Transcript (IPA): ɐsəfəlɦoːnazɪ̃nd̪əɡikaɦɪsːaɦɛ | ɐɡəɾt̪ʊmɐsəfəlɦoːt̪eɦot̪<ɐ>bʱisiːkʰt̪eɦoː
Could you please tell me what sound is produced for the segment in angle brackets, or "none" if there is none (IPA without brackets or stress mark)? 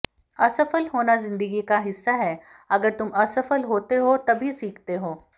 ɐ